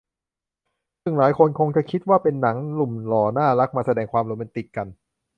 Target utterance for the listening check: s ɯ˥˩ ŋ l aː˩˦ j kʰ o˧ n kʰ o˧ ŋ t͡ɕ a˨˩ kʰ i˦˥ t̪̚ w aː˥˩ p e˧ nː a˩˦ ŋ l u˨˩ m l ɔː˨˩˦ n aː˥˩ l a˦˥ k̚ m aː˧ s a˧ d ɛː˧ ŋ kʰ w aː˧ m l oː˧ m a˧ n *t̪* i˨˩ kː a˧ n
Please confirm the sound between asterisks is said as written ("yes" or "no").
yes